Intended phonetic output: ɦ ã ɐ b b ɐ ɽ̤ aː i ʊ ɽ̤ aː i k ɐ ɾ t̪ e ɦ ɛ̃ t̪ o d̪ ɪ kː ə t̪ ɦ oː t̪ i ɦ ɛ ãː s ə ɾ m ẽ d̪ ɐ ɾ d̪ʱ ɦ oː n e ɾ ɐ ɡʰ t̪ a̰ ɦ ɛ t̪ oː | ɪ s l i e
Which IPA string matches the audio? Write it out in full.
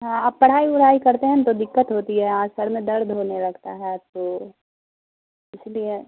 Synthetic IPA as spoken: ɦ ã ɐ b p ɐ ɽ̤ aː i ʊ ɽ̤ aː i k ɐ ɾ t̪ e ɦ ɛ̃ t̪ o d̪ ɪ kː ə t̪ ɦ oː t̪ i ɦ ɛ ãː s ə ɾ m ẽ d̪ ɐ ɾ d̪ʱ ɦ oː n e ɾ ɐ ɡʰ t̪ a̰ ɦ ɛ t̪ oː | ɪ s l i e